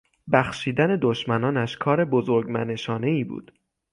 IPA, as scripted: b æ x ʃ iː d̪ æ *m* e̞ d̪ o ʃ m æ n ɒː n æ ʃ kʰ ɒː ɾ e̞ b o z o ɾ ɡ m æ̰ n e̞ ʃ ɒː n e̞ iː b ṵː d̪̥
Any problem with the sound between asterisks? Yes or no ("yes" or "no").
yes